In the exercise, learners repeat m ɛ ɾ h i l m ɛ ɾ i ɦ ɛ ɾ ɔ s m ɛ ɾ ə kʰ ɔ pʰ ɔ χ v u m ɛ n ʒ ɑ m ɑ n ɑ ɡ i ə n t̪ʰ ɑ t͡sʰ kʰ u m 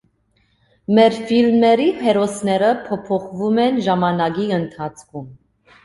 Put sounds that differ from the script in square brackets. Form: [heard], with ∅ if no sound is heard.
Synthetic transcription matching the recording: m ɛ ɾ [f] i l m ɛ ɾ i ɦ ɛ ɾ ɔ s [n] ɛ ɾ ə [pʰ] ɔ pʰ ɔ χ v u m ɛ n ʒ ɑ m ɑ n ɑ ɡ i ə n t̪ʰ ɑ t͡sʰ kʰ u m